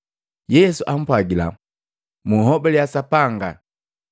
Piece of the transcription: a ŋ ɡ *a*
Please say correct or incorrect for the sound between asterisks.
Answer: correct